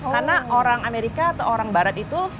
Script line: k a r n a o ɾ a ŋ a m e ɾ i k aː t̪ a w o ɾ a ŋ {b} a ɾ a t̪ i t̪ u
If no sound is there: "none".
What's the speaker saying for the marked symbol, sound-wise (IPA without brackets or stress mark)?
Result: b